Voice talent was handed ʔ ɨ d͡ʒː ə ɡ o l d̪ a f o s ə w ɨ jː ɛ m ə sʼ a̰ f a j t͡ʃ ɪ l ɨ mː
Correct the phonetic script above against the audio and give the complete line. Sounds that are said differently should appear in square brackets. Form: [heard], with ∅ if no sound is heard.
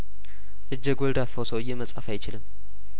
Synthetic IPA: ʔ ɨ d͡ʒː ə ɡ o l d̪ a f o s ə w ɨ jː ɛ m ə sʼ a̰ f a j t͡ʃ ɪ l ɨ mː